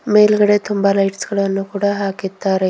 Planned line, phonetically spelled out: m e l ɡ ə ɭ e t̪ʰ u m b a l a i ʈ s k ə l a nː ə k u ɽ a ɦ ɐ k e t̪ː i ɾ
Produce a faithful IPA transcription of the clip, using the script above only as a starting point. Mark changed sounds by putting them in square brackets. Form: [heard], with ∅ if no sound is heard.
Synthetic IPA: m e l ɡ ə [ɽ] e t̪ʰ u m b a l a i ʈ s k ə [ɽ] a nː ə k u ɽ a ɦ [a] k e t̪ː [a] ɾ